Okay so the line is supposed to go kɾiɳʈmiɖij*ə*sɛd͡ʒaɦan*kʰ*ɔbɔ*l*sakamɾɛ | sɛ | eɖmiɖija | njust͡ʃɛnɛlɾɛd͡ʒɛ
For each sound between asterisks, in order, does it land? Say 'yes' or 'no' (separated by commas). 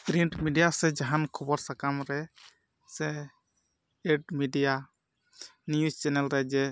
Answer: no, yes, no